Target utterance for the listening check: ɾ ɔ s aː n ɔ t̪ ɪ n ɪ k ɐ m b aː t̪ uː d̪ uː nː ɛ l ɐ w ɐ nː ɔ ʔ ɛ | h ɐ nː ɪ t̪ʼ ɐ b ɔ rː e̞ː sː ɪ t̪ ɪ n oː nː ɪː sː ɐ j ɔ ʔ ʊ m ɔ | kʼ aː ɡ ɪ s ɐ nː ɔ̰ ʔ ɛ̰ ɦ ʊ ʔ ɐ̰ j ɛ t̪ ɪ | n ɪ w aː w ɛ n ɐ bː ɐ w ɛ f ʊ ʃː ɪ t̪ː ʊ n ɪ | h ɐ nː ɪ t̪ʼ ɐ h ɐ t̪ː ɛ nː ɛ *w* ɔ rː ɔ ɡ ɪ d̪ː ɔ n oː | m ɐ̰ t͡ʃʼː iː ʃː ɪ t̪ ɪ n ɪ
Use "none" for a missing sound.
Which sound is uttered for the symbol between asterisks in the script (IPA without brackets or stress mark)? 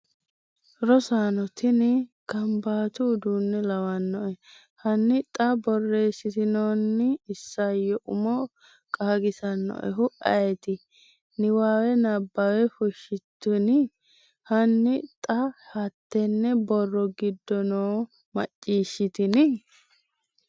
b